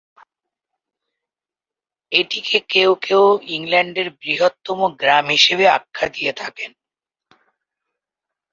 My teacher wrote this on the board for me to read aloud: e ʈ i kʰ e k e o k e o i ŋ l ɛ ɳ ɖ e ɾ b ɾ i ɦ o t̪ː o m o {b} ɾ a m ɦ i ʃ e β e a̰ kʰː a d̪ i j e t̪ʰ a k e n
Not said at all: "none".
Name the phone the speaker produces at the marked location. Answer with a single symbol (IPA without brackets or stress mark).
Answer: ɡ